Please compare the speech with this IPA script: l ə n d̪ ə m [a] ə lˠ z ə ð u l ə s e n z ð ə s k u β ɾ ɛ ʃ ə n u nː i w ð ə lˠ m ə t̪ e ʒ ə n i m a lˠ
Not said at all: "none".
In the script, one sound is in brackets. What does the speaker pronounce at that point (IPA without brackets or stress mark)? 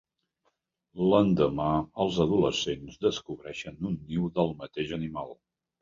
a